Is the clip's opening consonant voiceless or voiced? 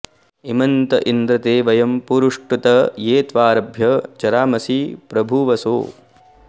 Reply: voiced